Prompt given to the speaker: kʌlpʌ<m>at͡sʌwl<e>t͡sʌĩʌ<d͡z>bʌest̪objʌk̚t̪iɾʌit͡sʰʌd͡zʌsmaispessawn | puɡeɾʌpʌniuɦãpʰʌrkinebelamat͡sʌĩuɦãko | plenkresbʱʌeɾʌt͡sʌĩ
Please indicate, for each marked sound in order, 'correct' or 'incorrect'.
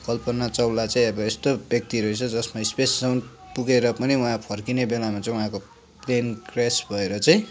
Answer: incorrect, incorrect, incorrect

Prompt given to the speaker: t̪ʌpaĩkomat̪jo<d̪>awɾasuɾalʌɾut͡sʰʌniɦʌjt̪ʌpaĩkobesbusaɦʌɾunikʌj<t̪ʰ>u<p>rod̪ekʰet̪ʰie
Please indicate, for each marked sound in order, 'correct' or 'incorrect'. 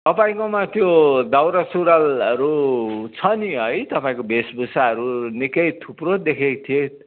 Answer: correct, correct, correct

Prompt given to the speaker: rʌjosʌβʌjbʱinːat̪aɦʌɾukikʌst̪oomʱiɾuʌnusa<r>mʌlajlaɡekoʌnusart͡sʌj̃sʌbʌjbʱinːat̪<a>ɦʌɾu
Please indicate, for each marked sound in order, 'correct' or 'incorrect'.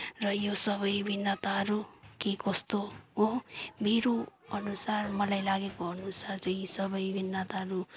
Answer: correct, correct

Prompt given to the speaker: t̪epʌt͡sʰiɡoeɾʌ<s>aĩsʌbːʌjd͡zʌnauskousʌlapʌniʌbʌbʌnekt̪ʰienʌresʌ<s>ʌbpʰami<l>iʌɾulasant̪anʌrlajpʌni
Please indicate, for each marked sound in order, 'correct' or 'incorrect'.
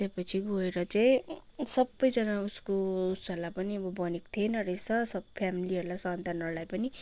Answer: incorrect, correct, correct

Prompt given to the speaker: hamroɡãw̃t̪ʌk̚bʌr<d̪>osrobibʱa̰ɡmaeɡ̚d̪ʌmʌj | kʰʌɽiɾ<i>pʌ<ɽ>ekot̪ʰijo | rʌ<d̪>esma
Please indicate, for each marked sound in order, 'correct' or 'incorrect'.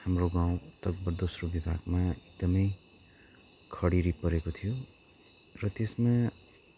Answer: correct, correct, incorrect, incorrect

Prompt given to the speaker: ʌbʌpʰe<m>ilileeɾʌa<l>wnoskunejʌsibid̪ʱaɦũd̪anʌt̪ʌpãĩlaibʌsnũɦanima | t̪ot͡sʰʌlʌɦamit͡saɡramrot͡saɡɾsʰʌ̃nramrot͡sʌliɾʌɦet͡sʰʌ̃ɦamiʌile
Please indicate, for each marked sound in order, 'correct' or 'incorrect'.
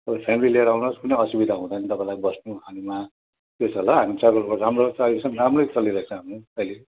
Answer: correct, incorrect

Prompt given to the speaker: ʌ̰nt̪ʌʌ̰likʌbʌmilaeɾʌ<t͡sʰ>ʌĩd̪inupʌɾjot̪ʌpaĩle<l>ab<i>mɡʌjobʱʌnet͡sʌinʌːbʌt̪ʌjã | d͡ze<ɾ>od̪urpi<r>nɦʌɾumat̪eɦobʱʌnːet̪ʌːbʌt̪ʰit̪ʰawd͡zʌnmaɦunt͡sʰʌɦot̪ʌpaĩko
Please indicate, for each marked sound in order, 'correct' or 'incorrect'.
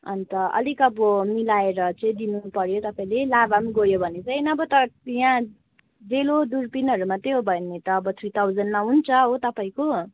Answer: incorrect, correct, incorrect, incorrect, incorrect

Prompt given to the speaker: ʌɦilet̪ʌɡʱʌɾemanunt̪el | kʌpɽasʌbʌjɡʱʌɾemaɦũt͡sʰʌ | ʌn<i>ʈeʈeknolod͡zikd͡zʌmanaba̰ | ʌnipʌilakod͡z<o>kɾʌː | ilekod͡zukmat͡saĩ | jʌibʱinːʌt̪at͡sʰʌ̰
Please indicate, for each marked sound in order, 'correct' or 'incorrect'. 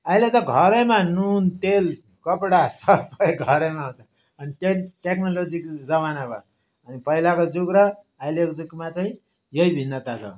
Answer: correct, incorrect

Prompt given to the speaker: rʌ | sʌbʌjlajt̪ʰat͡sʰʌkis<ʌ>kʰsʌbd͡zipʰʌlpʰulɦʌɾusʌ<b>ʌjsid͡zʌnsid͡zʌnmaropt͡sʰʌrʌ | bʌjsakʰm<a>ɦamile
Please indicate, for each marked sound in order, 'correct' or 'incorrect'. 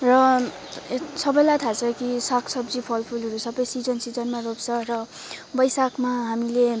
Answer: incorrect, correct, correct

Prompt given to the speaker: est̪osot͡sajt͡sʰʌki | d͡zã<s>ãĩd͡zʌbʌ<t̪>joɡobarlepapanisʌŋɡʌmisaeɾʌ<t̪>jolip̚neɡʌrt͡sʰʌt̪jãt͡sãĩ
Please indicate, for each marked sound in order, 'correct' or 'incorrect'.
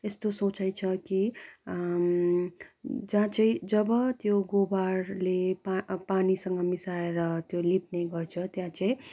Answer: incorrect, correct, correct

